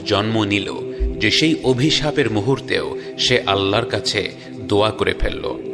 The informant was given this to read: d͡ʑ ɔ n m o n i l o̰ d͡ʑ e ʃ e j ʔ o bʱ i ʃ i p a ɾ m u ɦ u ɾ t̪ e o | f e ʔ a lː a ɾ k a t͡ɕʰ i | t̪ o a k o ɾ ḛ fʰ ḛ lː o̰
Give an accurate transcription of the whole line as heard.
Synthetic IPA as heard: d͡ʑ ɔ n m o n i l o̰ d͡ʑ e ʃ e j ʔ o bʱ i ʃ a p e ɾ m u ɦ u ɾ t̪ e o | ʃ e ʔ a lː a ɾ k a t͡ɕʰ e | d̪ o a k o ɾ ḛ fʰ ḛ lː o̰